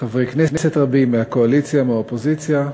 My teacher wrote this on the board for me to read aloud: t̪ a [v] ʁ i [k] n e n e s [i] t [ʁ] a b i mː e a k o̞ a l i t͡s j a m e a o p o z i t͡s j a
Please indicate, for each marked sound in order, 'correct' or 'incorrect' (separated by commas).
correct, correct, incorrect, correct